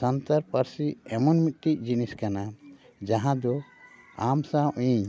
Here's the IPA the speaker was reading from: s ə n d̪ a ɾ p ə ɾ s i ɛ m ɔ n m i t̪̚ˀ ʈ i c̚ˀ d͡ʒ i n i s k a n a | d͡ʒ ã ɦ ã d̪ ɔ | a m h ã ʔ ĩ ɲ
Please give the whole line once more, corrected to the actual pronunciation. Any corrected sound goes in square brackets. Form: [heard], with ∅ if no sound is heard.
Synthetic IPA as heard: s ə n [t̪] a ɾ p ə ɾ s i ɛ m ɔ n m i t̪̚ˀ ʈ i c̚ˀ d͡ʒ i n i s k a n a | d͡ʒ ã ɦ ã d̪ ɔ | a m [s] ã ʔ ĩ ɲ